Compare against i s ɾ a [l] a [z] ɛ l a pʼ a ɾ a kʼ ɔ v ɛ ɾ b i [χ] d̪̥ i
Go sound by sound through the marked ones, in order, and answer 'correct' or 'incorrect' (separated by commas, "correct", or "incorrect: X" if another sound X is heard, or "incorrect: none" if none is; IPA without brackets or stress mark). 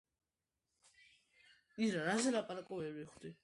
incorrect: ɾ, correct, correct